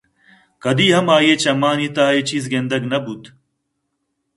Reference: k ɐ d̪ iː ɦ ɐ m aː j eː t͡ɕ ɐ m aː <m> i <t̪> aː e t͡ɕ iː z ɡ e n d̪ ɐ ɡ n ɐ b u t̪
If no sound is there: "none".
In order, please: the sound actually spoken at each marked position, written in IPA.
n, t̪

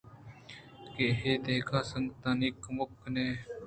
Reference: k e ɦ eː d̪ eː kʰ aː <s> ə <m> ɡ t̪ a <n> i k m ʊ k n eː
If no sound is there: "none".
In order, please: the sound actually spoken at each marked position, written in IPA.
s, ŋ, n

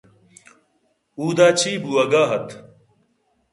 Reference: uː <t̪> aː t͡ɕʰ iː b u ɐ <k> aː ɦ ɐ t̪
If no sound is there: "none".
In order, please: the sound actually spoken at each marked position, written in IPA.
d̪, ɡ

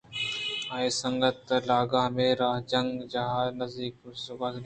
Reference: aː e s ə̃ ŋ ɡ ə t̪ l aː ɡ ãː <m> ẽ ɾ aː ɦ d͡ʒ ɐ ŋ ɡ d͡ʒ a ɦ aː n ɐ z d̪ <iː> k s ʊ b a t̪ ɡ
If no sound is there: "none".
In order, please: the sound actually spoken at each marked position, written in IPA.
m, iː

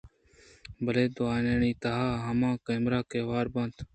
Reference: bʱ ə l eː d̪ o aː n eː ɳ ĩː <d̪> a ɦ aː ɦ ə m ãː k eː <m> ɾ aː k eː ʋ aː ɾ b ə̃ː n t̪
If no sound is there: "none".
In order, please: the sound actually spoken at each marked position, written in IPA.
t̪, m

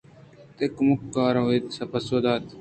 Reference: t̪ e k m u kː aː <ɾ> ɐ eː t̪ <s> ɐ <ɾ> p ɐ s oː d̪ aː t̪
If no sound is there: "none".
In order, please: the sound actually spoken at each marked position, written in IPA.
ɾ, s, none

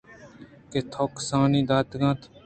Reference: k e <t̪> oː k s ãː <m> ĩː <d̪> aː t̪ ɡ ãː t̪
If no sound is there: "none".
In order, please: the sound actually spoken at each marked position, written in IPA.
t̪ʰ, n, d̪

